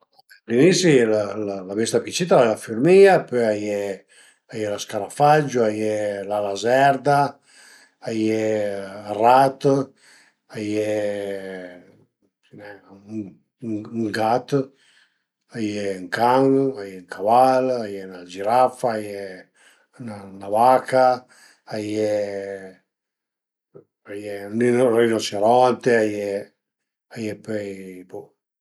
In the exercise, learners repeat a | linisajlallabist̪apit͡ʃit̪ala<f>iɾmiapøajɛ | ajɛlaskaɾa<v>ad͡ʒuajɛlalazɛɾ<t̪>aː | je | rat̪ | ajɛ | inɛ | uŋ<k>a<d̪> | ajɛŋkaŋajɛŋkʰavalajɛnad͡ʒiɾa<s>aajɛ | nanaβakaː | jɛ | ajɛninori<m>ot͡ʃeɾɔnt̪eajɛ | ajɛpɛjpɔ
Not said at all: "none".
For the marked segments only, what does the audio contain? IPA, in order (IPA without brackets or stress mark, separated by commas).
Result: f, f, d̪, ɡ, t̪, f, n